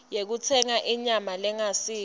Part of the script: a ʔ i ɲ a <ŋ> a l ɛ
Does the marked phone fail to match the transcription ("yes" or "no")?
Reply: yes